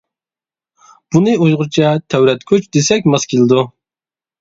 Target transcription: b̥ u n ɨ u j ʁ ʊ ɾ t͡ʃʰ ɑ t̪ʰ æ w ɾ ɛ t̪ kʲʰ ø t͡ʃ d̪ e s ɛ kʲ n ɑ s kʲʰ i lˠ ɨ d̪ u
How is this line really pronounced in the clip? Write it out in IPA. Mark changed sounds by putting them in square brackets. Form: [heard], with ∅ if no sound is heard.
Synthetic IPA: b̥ u n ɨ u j ʁ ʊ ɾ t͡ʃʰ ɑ t̪ʰ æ w ɾ ɛ t̪ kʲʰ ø t͡ʃ d̪ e s ɛ kʲ [m] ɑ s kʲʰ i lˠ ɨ d̪ u